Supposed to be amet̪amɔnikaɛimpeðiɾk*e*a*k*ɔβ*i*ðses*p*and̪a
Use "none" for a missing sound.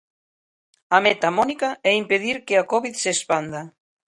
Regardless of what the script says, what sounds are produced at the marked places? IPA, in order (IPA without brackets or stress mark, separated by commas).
e, k, i, p